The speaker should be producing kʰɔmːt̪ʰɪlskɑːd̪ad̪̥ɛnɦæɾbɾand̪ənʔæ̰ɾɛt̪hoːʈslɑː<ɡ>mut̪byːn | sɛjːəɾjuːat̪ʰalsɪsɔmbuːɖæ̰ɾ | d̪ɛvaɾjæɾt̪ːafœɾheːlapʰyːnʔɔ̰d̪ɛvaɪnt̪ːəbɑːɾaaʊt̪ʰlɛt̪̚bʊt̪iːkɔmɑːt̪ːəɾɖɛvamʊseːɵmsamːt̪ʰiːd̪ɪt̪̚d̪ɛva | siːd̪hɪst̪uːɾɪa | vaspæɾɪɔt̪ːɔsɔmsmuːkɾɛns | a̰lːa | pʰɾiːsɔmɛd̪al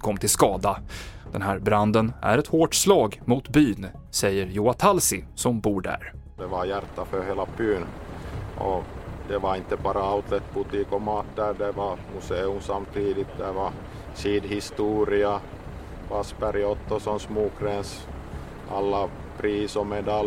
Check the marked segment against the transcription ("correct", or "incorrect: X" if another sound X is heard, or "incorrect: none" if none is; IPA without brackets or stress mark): correct